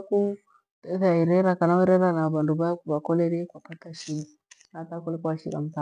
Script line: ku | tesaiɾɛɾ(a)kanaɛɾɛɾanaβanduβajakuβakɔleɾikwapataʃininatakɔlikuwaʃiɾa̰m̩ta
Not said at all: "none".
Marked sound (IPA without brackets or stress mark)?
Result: a